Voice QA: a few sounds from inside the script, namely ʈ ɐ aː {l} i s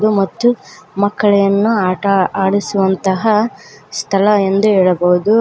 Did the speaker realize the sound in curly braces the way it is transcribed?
no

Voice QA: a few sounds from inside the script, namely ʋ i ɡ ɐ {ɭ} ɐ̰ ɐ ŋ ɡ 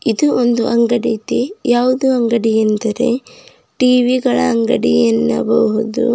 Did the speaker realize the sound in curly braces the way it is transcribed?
yes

